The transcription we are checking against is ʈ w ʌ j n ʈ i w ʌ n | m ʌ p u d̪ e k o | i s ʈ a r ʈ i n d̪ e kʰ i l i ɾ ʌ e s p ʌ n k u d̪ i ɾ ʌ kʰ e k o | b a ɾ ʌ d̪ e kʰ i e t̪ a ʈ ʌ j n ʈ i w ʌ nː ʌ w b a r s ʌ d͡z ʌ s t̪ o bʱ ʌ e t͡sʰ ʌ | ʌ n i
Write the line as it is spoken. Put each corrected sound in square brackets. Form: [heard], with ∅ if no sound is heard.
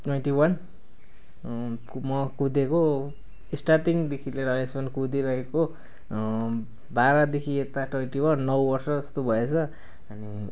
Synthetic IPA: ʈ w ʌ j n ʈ i w ʌ n | m ʌ [k] u d̪ e k o | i s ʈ a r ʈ i [ŋ] d̪ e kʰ i l [e] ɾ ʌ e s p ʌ n k u d̪ i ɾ ʌ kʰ e k o | b a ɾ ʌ d̪ e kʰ i e t̪ a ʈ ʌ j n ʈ i w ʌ nː ʌ w b [ʌ] r s ʌ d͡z ʌ s t̪ o bʱ ʌ e t͡sʰ ʌ | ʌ n i